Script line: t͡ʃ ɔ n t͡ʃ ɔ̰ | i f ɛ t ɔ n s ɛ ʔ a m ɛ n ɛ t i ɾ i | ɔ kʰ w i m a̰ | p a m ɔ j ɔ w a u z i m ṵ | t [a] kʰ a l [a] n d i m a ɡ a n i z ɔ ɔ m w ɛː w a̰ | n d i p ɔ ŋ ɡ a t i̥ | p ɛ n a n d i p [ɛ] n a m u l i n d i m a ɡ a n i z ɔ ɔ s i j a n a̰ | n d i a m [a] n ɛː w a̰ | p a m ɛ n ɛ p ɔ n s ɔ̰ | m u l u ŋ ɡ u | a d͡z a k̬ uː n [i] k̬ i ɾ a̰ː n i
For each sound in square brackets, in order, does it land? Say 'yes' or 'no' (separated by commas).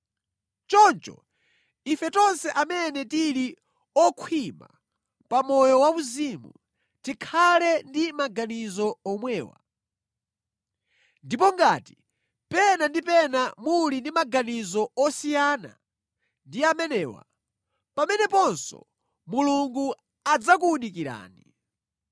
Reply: no, no, yes, no, yes